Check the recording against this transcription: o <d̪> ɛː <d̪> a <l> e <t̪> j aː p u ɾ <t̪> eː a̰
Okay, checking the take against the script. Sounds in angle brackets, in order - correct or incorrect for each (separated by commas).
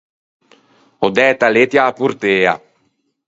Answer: correct, incorrect, correct, correct, correct